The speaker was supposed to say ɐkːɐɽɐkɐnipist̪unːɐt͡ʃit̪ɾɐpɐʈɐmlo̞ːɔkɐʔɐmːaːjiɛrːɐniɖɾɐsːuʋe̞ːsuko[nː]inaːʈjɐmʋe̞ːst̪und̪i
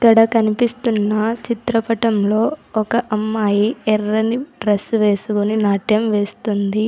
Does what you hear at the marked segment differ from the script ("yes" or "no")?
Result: yes